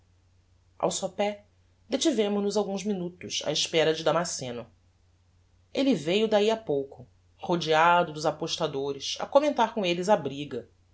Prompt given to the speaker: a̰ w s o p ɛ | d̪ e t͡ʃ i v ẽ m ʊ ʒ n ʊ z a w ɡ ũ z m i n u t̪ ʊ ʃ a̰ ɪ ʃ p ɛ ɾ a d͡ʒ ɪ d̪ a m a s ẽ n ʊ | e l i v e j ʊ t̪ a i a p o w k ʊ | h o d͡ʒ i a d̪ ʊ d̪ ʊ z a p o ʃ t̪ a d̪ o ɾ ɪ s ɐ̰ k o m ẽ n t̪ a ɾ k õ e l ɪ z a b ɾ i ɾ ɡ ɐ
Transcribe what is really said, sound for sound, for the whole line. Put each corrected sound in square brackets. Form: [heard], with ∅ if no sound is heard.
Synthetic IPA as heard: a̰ w s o p ɛ | d̪ e t͡ʃ i v ẽ m ʊ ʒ n ʊ z a w ɡ ũ z m i n u t̪ ʊ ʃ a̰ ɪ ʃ p ɛ ɾ [ɐ] d͡ʒ ɪ d̪ a m a s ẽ n ʊ | e l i v e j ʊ [d̪] a i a p o w k ʊ | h o d͡ʒ i a d̪ ʊ d̪ ʊ z a p o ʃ t̪ a d̪ o ɾ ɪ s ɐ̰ k o m ẽ n t̪ a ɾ k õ e l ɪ z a b ɾ i [∅] ɡ ɐ